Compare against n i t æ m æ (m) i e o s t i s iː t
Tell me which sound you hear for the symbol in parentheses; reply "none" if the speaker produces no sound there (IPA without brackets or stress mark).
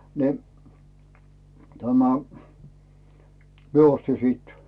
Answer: m